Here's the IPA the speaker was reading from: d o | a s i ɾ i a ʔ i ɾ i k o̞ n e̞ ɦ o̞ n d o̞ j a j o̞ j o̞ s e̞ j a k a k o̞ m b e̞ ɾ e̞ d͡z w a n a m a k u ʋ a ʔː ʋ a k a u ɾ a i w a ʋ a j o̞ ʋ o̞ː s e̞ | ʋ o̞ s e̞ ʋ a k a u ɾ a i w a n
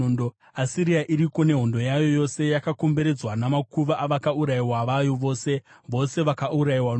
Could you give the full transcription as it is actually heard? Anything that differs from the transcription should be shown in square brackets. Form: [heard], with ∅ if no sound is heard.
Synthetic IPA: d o | a s i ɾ i a ʔ i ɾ i k o̞ n e̞ ɦ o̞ n d o̞ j a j o̞ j o̞ s e̞ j a k a k o̞ m b e̞ ɾ e̞ d͡z w a n a m a k u ʋ a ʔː ʋ a k a u ɾ a i w a ʋ a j o̞ ʋ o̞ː s e̞ | ʋ o̞ s e̞ ʋ a k a u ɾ a i w a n